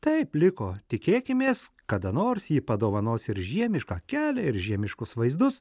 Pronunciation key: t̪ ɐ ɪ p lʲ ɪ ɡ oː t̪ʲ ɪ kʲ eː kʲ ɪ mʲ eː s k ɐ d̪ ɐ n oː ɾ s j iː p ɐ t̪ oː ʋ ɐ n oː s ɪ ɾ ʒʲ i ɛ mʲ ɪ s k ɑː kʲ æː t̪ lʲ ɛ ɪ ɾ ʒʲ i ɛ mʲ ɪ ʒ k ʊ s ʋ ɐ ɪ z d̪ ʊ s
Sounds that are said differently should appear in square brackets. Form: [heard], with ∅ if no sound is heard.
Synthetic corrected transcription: t̪ ɐ ɪ p lʲ ɪ [k] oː t̪ʲ ɪ kʲ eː kʲ ɪ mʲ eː s k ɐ d̪ ɐ n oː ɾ s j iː p ɐ [d̪] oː ʋ ɐ n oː s ɪ ɾ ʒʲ i ɛ mʲ ɪ [ʃ] k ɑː kʲ æː [∅] lʲ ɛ ɪ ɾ ʒʲ i ɛ mʲ ɪ [ʃ] k ʊ s ʋ ɐ ɪ z d̪ ʊ s